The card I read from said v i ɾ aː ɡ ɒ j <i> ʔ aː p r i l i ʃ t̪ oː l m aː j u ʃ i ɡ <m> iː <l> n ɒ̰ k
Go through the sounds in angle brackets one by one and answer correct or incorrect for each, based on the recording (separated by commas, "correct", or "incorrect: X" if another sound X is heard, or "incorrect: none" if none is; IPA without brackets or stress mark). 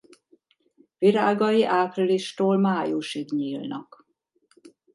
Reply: correct, incorrect: ɲ, correct